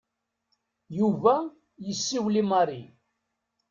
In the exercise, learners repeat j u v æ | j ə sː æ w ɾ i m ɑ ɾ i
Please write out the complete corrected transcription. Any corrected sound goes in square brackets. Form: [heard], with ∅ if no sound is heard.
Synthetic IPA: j u v æ | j ə sː [i] w [l] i m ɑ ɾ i